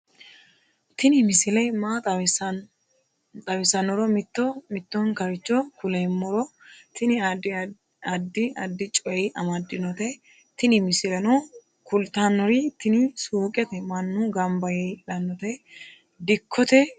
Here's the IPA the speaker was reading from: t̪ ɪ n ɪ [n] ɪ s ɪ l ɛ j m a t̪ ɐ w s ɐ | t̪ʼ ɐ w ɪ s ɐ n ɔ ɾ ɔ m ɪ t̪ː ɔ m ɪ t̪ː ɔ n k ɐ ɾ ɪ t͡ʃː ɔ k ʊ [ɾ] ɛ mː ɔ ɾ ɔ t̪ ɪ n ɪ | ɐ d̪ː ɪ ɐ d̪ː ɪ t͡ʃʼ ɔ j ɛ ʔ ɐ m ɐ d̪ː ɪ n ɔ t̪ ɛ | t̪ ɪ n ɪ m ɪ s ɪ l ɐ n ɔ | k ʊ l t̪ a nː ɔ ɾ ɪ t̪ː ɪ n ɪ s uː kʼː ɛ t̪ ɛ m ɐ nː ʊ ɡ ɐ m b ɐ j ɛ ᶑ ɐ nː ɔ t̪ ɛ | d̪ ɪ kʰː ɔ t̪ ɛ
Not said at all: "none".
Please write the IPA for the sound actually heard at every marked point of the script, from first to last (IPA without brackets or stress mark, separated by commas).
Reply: m, l